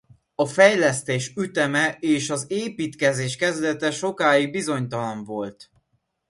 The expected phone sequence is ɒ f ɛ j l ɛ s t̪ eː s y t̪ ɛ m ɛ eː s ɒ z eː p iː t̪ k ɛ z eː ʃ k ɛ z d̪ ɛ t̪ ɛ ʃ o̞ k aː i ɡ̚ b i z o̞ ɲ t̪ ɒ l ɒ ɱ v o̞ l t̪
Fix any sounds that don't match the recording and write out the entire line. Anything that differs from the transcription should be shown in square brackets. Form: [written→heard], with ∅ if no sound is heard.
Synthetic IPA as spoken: ɒ f ɛ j l ɛ s t̪ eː [s→ʃ] y t̪ ɛ m ɛ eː [s→ʃ] ɒ z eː p iː t̪ k ɛ z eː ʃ k ɛ z d̪ ɛ t̪ ɛ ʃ o̞ k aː i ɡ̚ b i z o̞ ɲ t̪ ɒ l ɒ ɱ v o̞ l t̪